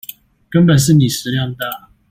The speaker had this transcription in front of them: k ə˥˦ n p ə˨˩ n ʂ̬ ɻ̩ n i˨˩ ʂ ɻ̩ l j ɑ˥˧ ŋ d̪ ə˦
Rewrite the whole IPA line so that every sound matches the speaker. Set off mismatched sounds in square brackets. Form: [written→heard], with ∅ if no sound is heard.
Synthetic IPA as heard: k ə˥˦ n p ə˨˩ n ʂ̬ ɻ̩ n i˨˩ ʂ ɻ̩ l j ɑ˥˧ ŋ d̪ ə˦